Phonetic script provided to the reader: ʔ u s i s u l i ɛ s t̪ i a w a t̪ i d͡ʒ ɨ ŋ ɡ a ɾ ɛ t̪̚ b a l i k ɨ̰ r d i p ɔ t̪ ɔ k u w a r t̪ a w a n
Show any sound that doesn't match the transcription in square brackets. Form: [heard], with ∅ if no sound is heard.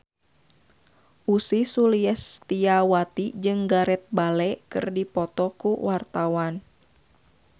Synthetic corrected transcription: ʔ u s i s u l i ɛ s t̪ i a w a t̪ i d͡ʒ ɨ ŋ ɡ a ɾ ɛ t̪̚ b a l [ɛ] k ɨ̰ r d i p ɔ t̪ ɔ k u w a r t̪ a w a n